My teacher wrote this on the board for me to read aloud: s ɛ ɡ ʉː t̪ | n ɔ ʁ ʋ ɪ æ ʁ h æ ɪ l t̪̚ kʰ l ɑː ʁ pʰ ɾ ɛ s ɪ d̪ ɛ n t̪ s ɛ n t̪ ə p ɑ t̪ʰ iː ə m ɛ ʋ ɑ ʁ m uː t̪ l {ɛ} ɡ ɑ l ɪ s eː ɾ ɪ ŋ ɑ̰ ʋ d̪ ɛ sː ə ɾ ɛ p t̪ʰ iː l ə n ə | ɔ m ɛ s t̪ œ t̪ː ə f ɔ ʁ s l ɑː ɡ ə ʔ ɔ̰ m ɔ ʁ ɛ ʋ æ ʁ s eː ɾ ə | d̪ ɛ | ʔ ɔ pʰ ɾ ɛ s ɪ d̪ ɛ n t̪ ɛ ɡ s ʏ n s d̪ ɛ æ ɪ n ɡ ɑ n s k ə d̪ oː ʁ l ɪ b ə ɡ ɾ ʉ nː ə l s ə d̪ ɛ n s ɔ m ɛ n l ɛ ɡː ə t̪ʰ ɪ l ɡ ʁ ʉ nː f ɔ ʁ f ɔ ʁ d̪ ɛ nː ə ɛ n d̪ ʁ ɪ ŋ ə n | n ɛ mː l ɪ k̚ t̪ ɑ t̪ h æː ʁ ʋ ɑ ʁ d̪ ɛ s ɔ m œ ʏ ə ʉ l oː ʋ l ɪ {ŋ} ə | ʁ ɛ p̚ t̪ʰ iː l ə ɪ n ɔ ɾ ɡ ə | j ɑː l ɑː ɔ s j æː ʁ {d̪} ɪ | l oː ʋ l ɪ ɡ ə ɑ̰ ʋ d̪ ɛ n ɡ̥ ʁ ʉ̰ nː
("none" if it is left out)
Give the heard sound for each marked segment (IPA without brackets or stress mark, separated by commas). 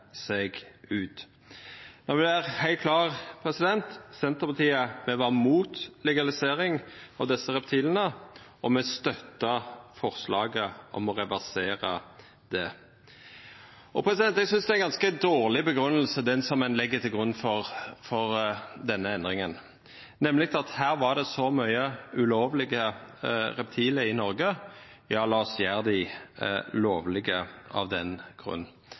ɛ, ɡ, d̪